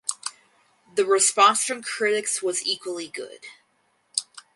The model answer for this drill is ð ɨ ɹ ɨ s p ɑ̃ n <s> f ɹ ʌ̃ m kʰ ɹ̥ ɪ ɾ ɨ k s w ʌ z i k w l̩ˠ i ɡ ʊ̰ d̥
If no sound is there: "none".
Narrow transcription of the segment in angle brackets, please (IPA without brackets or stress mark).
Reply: s